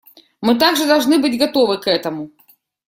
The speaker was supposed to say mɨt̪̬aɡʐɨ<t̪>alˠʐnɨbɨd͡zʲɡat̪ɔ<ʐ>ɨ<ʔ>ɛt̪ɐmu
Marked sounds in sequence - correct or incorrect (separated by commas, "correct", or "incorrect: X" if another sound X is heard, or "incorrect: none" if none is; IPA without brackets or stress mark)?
incorrect: d̪, incorrect: v, incorrect: k